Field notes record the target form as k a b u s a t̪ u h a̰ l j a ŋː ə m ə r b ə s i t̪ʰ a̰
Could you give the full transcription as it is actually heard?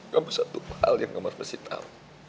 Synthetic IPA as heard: k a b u s a t̪ u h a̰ l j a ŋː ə m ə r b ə s i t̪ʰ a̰